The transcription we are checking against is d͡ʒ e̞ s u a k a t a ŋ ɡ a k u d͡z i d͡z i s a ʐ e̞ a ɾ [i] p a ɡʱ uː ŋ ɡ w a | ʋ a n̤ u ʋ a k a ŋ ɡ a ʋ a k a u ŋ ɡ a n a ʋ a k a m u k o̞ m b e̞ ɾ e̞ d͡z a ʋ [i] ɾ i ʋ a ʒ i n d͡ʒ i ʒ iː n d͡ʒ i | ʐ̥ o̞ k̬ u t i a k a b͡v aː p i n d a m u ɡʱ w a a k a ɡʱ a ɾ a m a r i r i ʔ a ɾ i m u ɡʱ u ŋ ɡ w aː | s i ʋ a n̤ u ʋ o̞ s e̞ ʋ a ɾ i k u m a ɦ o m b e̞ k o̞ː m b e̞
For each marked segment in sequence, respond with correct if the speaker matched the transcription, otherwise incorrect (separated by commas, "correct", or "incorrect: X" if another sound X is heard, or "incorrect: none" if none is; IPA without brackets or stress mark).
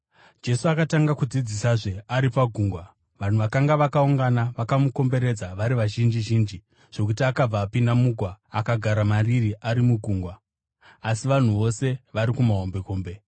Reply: correct, incorrect: a